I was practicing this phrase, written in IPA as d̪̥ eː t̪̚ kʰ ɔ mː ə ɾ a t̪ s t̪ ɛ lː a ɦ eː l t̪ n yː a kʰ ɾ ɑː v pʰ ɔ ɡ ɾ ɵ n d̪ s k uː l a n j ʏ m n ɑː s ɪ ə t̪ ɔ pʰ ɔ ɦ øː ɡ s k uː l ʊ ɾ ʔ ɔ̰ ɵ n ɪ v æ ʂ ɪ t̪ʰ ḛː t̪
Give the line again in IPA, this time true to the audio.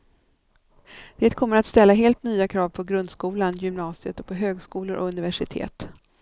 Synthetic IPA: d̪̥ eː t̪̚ kʰ ɔ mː ə ɾ a t̪ s t̪ ɛ lː a ɦ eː l t̪ n yː a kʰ ɾ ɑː v pʰ ɔ ɡ ɾ ɵ n d̪ s k uː l a n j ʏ m n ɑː s ɪ ə t̪ ɔ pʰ ɔ ɦ øː ɡ s k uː l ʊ ɾ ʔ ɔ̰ ɵ n ɪ v æ ʂ ɪ t̪ʰ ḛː t̪